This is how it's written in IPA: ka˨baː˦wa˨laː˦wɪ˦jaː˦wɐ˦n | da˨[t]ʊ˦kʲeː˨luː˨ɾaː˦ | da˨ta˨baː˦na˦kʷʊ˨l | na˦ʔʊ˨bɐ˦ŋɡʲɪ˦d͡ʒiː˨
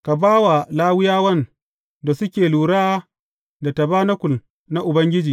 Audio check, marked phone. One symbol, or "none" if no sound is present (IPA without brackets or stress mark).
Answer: s